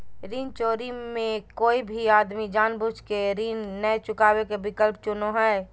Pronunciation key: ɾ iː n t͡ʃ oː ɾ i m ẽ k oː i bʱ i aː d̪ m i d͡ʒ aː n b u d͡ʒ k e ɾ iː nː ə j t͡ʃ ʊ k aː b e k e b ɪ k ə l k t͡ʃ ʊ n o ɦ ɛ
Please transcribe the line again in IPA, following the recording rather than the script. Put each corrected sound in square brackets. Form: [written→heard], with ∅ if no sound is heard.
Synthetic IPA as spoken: ɾ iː n t͡ʃ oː ɾ i m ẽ k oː i bʱ i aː d̪ m i d͡ʒ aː n b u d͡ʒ k e ɾ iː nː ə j t͡ʃ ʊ k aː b e k e b ɪ k ə l [k→p] t͡ʃ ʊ n o ɦ ɛ